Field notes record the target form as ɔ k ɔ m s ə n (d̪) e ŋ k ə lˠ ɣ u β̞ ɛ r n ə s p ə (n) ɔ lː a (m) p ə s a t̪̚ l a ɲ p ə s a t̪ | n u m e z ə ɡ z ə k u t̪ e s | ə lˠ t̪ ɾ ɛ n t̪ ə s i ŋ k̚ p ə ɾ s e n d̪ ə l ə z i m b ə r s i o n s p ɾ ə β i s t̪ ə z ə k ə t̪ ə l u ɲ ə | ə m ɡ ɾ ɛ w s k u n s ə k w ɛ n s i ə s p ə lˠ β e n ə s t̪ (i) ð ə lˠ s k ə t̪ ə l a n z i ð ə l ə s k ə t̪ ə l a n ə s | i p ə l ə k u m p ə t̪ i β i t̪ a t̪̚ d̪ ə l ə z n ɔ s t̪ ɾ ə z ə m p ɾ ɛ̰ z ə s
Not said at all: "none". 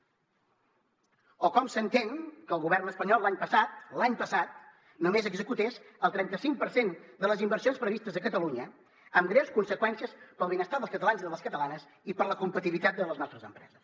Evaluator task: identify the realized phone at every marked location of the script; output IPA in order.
t̪, ɲ, ɲ, a

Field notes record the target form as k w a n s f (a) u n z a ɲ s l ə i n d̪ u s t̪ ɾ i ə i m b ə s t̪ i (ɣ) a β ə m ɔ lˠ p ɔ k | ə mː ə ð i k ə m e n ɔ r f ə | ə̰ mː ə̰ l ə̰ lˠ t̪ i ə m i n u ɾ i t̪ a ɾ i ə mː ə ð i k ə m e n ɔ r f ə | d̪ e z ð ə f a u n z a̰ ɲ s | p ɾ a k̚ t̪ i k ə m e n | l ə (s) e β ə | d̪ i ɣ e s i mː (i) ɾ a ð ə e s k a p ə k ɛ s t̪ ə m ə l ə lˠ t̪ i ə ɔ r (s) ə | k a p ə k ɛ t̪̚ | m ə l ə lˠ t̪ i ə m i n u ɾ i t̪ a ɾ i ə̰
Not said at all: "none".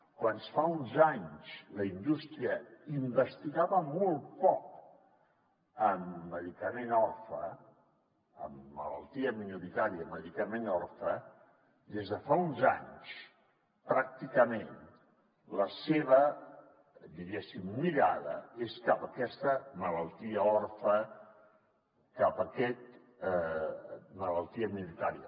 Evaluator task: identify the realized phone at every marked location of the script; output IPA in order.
a, ɣ, s, i, f

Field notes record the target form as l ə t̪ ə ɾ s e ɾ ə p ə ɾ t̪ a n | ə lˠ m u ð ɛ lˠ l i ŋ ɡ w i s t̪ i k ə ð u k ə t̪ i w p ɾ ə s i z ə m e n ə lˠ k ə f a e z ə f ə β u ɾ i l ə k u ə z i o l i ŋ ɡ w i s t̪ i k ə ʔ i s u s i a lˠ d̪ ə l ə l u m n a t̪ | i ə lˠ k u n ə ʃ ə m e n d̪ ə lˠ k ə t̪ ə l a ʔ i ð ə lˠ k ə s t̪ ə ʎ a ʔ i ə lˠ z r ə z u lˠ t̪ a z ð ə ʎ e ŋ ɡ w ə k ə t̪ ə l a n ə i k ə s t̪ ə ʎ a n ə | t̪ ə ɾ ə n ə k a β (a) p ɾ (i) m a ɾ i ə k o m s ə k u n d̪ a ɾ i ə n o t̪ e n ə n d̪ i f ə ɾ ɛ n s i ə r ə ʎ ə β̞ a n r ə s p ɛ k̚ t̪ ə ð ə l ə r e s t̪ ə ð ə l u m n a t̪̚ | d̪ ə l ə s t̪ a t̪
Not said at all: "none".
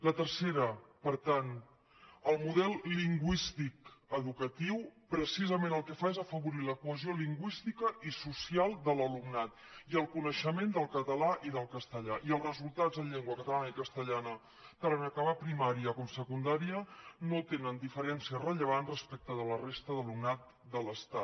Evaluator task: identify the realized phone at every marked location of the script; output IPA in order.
a, i

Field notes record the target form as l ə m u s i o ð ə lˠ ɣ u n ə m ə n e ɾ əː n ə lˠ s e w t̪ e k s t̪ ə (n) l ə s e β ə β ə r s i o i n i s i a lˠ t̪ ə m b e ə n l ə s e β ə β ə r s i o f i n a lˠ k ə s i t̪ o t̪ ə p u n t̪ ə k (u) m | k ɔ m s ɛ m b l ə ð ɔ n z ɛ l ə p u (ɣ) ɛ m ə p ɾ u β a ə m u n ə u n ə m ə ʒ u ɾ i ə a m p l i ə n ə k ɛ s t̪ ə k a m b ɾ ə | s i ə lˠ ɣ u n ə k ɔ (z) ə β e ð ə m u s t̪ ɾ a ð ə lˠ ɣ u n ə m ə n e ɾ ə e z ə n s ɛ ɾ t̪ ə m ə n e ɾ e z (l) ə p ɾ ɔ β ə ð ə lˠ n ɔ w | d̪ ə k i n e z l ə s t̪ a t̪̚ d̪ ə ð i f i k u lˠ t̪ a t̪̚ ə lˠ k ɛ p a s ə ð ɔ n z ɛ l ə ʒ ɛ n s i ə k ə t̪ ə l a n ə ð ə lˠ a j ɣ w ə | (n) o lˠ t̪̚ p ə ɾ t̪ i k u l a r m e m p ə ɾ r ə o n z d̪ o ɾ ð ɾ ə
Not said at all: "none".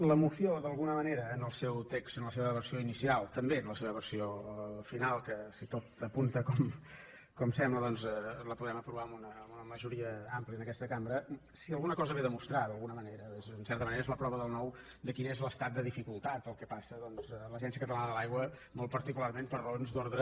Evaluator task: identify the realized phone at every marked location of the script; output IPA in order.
n, ɔ, ð, z, l, m

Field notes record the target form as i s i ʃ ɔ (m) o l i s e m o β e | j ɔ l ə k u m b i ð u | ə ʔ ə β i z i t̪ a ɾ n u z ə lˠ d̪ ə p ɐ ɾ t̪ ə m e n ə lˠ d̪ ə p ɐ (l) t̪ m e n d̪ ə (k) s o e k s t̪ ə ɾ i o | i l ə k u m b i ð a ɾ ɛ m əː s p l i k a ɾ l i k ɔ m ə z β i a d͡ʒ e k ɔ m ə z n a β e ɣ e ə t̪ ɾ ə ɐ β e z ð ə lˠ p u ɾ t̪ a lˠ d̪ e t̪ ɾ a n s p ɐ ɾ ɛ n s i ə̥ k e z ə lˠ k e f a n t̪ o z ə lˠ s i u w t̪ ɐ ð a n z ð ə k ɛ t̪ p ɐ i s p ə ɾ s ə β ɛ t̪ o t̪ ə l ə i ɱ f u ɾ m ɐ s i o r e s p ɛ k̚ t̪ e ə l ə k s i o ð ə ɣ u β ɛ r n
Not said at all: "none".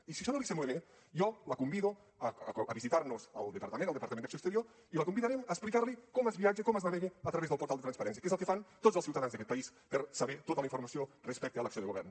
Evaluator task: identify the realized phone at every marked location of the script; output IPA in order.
n, ɾ, k

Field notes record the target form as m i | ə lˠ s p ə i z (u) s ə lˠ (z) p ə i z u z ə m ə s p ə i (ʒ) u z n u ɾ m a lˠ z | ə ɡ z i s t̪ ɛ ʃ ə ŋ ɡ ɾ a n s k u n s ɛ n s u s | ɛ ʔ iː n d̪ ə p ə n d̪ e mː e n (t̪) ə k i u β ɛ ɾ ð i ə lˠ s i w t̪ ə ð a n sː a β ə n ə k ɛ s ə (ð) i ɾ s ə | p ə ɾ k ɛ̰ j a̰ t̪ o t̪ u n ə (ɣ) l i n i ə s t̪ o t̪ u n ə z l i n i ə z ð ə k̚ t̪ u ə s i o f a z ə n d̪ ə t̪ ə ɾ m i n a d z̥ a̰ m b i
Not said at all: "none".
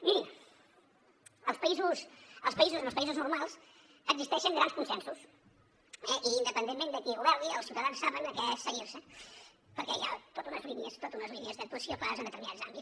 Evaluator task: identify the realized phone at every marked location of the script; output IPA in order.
u, s, z, d̪, ɣ, z

